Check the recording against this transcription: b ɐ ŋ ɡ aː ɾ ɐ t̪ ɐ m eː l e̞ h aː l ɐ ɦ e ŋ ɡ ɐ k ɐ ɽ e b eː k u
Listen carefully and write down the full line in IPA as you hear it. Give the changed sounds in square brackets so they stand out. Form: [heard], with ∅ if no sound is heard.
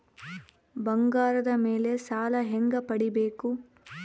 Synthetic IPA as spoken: b ɐ ŋ ɡ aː ɾ ɐ [d̪] ɐ m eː l e̞ [s] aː l ɐ ɦ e ŋ ɡ ɐ [p] ɐ ɽ [i] b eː k u